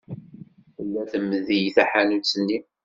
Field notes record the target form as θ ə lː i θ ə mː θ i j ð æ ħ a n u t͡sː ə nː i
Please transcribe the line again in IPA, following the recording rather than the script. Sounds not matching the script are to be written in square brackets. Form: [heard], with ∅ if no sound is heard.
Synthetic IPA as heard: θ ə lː [æ] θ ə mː [ð] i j [θ] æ ħ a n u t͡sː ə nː i

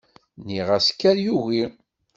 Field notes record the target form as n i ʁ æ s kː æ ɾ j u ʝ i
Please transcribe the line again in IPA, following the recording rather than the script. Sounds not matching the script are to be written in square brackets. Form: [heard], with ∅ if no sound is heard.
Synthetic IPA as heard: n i ʁ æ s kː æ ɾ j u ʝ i

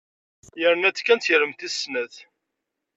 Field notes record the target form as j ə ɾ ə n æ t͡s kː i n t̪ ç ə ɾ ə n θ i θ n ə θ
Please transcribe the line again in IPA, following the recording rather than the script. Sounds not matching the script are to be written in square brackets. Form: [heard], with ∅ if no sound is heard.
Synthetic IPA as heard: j ə ɾ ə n æ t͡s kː [æ] n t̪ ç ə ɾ ə [m] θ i [s] n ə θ

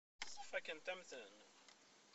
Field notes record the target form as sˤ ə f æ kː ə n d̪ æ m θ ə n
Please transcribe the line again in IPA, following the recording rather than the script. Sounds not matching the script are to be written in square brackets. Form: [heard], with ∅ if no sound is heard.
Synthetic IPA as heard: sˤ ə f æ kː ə n [t̪] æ m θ ə n

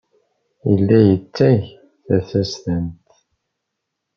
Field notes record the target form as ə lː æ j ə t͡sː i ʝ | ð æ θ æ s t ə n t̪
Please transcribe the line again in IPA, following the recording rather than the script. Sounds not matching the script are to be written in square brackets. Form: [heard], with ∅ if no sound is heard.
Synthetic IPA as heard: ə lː æ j ə t͡sː [æ] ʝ | [θ] æ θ æ s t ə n t̪

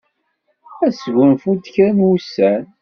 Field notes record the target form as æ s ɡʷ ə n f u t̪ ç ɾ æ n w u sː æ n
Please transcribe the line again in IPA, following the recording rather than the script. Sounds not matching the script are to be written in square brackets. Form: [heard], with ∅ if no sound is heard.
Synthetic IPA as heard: æ s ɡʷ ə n f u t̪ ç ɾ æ n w u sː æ n

